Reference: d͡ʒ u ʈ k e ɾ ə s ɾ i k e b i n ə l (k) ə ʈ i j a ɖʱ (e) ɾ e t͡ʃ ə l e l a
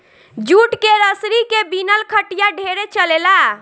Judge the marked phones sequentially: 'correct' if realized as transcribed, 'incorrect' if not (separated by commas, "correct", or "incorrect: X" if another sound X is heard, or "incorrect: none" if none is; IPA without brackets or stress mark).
incorrect: kʰ, correct